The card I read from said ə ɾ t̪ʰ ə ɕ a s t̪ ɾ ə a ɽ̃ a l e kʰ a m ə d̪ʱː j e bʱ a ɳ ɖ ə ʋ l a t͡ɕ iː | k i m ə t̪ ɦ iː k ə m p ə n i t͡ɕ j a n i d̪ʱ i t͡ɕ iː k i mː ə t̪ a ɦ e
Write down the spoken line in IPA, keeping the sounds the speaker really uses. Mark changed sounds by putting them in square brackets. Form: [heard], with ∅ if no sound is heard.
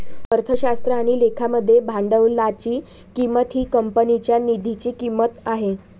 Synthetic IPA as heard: ə ɾ t̪ʰ ə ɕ a s t̪ ɾ ə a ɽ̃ [i] l e kʰ a m ə d̪ʱː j e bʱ a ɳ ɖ ə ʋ l a t͡ɕ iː | k i m ə t̪ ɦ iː k ə m p ə n i t͡ɕ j a n i d̪ʱ i t͡ɕ iː k i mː ə t̪ a ɦ e